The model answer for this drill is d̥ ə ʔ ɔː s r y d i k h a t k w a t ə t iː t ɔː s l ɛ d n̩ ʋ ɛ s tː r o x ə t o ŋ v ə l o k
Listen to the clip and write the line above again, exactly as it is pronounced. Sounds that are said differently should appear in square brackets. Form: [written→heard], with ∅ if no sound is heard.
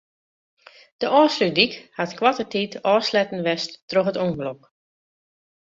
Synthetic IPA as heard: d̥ ə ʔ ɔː s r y d i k h a t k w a t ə t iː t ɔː s l ɛ [d→t] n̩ ʋ ɛ s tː r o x ə t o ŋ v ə l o k